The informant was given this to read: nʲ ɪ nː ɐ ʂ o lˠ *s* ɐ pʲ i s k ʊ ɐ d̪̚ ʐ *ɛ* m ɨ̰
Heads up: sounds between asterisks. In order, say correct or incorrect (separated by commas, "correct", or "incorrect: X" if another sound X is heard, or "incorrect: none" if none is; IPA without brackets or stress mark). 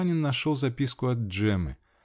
incorrect: z, correct